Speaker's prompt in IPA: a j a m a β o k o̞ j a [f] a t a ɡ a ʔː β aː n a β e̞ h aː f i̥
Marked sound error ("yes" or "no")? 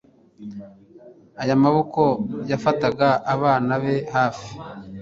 no